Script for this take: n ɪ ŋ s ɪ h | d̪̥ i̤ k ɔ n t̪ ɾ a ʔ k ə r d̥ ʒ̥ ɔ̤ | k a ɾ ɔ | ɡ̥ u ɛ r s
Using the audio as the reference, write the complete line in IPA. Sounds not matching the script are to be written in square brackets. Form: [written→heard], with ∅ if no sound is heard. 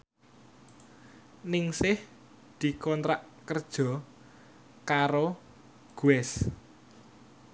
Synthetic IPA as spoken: n ɪ ŋ s ɪ h | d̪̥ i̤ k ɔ n t̪ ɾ a ʔ k ə r d̥ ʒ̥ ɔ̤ | k a ɾ [ɔ→o] | ɡ̥ u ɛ [r→∅] s